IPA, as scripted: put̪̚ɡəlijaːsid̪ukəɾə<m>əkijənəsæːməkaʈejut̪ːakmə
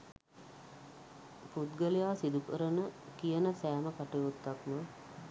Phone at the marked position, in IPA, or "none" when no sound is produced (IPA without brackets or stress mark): n